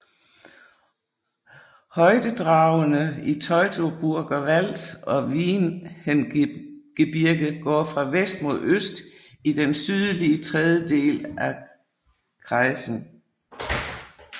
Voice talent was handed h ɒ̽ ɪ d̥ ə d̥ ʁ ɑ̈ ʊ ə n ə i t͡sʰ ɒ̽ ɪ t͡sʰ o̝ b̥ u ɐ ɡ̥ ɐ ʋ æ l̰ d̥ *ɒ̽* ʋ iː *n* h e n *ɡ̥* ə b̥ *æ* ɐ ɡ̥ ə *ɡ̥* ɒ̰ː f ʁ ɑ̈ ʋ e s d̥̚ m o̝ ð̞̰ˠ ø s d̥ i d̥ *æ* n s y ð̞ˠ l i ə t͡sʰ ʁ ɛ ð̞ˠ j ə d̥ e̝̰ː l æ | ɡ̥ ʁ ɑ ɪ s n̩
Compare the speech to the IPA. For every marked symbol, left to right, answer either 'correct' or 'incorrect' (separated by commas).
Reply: correct, correct, correct, incorrect, correct, incorrect